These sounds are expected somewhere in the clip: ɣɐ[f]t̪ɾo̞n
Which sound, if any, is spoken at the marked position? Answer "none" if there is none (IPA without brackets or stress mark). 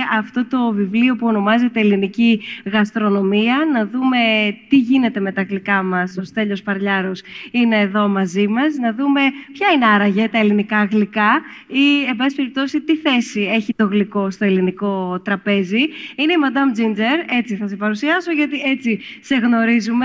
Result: s